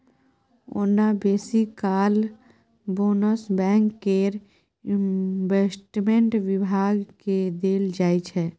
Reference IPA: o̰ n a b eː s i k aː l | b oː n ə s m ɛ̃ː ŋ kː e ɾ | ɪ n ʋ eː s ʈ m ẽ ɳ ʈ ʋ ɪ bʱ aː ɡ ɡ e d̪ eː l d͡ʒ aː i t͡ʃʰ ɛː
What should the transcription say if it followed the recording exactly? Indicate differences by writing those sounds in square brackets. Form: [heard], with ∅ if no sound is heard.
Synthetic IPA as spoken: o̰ n a b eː s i k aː l | b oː n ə s [b] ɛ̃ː ŋ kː e ɾ | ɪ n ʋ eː s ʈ m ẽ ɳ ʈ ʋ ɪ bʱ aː ɡ [k] e d̪ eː l d͡ʒ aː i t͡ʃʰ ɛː